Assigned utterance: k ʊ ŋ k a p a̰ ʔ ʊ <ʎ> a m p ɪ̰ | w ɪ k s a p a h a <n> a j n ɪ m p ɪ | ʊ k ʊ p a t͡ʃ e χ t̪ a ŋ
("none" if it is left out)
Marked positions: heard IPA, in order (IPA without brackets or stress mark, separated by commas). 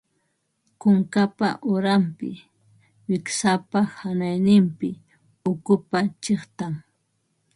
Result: ɾ, n